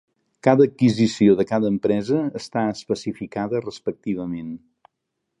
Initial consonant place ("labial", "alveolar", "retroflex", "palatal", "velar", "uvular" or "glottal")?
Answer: velar